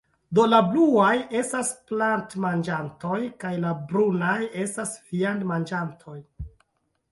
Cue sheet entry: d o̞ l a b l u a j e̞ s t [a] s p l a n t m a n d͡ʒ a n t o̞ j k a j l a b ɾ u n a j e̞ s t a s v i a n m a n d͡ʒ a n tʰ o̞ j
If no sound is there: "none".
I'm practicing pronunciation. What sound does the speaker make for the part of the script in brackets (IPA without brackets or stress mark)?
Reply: a